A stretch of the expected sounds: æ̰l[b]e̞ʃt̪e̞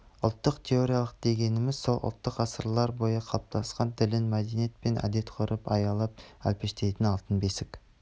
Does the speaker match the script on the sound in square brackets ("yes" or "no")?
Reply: no